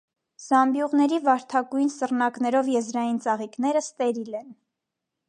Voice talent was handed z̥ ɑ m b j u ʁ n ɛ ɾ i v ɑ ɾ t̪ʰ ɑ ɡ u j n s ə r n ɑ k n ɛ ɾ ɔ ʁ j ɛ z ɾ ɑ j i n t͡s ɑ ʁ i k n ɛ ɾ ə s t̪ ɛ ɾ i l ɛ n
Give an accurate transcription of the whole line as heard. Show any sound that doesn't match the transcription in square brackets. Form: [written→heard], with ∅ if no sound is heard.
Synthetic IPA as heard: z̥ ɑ m b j u ʁ n ɛ ɾ i v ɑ ɾ t̪ʰ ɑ ɡ u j n s ə r n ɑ k n ɛ ɾ ɔ [ʁ→v] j ɛ z ɾ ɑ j i n t͡s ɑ ʁ i k n ɛ ɾ ə s t̪ ɛ ɾ i l ɛ n